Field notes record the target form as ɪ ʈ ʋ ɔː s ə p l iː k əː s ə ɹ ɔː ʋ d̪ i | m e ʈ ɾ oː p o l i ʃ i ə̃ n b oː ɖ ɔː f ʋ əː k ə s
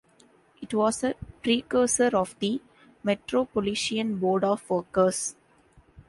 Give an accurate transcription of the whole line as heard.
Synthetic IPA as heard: ɪ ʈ ʋ ɔː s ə p ɾ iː k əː s ə ɾ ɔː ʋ d̪ i | m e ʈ ɾ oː p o l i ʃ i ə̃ n b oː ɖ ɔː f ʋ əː k ə s